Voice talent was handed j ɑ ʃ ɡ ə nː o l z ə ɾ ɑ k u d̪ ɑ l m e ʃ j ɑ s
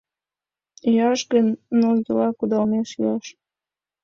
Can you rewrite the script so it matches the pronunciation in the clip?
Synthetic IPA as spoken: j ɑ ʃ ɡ ə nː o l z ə l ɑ k u d̪ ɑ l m e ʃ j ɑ ʃ